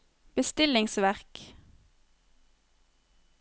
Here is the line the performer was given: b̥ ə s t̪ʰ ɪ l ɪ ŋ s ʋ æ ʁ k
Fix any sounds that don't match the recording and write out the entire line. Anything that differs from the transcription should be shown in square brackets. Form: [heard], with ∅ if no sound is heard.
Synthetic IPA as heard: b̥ ə s [t̪] ɪ l ɪ ŋ s ʋ æ ʁ k